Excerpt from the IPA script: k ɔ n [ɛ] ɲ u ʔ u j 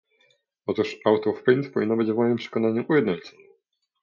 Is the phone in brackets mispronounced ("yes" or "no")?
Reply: yes